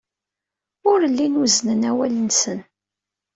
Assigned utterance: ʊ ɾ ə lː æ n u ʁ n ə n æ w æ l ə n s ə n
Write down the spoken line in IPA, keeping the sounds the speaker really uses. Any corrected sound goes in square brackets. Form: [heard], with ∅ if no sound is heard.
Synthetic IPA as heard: ʊ ɾ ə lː [i] n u [z] n ə n æ w æ l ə n s ə n